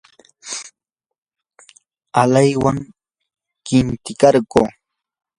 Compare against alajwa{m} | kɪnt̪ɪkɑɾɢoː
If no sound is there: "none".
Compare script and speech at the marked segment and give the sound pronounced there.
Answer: ŋ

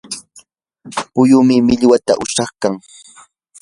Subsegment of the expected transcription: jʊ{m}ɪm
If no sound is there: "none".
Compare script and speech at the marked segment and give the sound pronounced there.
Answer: m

